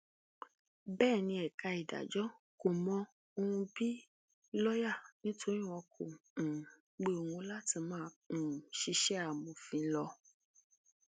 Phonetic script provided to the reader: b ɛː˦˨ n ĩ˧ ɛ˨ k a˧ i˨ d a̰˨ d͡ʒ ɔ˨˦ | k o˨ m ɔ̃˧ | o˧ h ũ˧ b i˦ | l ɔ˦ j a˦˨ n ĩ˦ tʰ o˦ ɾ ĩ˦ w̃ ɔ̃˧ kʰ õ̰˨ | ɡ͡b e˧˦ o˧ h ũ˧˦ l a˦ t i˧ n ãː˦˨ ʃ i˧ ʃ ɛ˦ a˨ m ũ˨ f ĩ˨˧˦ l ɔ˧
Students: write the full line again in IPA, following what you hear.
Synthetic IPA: b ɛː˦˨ n ĩ˧ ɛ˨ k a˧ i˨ d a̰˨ d͡ʒ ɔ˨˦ | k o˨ m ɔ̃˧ | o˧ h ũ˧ b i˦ | l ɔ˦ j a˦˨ n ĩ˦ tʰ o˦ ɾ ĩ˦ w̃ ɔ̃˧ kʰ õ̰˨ | ɡ͡b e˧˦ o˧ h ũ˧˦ l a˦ t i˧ m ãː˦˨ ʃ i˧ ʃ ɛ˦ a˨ m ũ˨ f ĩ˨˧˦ l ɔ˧